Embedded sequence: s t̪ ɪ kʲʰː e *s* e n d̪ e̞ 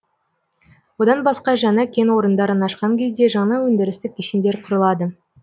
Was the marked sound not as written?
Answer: yes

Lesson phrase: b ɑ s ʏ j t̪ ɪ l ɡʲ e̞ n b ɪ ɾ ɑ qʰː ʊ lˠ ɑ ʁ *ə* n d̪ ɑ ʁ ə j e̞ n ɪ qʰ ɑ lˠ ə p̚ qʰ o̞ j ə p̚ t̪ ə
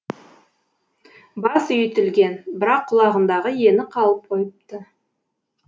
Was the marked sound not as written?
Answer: no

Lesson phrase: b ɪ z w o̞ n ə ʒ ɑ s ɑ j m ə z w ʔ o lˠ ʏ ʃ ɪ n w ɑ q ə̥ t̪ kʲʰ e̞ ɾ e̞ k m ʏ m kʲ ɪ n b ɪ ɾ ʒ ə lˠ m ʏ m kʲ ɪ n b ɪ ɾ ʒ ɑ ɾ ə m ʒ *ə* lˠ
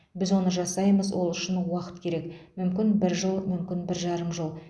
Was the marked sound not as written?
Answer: no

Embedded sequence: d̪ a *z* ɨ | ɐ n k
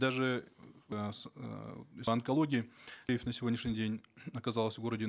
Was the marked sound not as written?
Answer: yes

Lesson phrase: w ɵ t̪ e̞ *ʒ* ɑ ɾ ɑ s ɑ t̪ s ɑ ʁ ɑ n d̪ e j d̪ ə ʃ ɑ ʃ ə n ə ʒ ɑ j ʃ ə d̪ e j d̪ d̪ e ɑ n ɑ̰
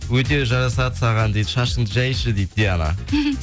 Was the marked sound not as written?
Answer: no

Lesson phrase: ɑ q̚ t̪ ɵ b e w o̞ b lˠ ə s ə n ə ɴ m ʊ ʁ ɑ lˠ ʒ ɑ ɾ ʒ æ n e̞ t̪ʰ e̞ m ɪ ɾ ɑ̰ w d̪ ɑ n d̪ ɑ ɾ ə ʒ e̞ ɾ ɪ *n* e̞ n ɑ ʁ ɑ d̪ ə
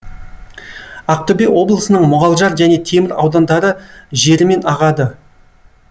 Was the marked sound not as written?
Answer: yes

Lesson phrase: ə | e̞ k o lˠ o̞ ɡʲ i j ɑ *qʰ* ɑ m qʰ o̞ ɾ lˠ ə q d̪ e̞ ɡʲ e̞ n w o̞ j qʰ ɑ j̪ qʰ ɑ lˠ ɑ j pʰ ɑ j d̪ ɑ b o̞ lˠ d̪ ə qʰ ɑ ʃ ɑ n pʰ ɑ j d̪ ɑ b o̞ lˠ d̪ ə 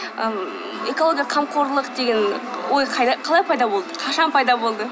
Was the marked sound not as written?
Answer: no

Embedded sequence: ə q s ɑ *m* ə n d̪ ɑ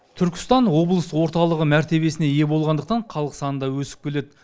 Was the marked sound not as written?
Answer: yes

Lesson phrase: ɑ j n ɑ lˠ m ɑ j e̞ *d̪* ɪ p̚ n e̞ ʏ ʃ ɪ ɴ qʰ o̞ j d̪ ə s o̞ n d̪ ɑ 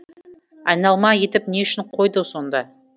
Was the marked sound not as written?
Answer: yes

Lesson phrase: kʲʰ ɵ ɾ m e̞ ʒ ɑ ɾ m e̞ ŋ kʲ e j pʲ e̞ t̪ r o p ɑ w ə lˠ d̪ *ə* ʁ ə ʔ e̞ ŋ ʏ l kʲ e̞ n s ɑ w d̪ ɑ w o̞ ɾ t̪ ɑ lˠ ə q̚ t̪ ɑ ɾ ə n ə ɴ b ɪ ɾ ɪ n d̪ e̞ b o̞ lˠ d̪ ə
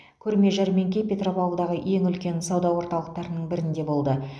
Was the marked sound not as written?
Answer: yes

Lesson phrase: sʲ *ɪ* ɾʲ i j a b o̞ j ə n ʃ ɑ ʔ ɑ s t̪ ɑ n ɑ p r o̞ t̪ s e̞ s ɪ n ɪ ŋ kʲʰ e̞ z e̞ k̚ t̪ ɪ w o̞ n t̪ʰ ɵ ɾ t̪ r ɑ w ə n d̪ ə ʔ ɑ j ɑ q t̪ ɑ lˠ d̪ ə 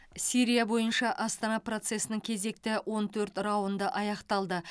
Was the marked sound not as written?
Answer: yes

